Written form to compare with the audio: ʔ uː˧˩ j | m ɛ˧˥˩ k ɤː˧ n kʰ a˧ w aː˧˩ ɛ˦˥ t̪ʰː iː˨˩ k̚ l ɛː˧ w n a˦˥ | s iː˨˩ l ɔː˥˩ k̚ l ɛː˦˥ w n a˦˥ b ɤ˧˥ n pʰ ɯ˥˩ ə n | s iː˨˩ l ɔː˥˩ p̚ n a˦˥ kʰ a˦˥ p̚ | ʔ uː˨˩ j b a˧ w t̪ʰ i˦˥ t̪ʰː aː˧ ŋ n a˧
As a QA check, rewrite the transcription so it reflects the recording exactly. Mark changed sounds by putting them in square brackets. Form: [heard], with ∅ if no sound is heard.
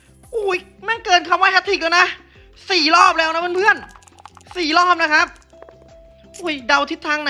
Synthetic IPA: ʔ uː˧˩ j | m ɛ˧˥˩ k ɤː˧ n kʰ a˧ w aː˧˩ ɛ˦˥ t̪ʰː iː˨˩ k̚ l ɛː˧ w n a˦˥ | s iː˨˩ l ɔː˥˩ [p̚] l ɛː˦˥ w n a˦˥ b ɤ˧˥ n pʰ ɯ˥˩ ə n | s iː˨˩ l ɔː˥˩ p̚ n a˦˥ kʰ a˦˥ p̚ | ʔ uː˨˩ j [d] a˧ w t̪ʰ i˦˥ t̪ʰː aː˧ ŋ n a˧